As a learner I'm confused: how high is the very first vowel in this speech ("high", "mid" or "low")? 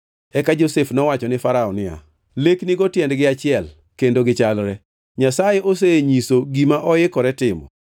mid